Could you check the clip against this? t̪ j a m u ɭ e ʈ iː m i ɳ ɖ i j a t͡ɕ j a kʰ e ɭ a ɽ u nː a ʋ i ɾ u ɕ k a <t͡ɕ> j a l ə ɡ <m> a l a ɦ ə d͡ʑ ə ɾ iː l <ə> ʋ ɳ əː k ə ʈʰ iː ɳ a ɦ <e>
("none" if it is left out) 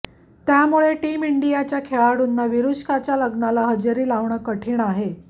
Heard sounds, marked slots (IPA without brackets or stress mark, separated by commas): t͡ɕ, n, a, e